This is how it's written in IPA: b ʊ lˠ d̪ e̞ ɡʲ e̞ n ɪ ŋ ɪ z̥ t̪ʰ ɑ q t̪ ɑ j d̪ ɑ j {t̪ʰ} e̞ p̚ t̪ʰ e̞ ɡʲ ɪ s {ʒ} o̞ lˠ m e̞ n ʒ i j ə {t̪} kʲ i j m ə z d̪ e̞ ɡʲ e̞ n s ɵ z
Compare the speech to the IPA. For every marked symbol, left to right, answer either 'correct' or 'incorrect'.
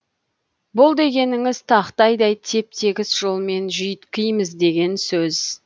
correct, correct, correct

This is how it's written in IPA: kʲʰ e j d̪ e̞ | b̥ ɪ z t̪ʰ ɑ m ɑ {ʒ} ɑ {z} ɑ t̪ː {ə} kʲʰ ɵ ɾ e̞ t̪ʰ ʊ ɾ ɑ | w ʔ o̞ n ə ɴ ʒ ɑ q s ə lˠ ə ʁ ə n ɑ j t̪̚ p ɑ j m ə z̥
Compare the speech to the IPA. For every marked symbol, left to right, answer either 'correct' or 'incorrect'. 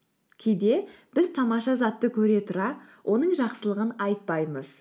incorrect, correct, correct

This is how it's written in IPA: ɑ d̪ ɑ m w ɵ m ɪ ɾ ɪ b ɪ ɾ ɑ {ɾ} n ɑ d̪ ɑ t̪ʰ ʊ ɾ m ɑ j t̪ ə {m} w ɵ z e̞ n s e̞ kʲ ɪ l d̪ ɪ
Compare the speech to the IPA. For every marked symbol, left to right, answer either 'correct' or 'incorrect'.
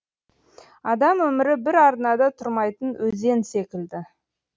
correct, incorrect

